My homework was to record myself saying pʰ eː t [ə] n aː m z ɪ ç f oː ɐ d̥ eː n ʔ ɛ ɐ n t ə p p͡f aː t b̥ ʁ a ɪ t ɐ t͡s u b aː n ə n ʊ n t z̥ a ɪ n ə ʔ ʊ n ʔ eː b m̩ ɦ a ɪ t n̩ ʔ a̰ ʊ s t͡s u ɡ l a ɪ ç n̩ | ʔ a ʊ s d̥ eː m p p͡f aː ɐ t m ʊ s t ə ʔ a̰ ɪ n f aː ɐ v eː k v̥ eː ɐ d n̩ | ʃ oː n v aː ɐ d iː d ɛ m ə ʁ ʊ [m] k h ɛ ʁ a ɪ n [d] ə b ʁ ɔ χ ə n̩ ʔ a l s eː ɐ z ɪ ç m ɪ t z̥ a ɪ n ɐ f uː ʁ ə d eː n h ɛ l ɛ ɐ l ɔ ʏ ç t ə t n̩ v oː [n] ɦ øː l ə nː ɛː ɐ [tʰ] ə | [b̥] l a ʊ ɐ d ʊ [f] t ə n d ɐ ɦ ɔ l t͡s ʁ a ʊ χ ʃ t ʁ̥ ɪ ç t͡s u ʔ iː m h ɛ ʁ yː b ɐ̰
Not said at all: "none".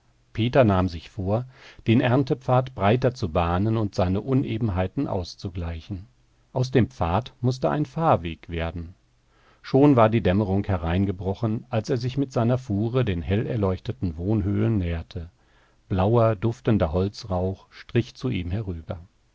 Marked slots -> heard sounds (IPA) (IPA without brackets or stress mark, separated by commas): ɐ, ŋ, ɡ, n, tʰ, b̥, f